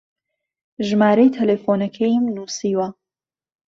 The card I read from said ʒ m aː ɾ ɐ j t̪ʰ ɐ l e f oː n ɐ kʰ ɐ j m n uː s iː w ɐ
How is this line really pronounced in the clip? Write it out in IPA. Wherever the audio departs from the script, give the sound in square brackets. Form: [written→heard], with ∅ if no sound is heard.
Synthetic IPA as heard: ʒ m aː ɾ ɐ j t̪ʰ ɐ l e f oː n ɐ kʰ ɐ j m n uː s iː w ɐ